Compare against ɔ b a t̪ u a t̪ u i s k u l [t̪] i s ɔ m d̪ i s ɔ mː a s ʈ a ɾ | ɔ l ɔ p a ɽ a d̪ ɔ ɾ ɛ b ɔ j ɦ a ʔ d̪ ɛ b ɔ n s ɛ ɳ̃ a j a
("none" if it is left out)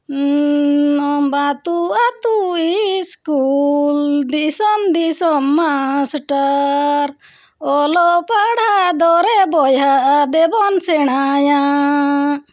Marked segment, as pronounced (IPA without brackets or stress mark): d̪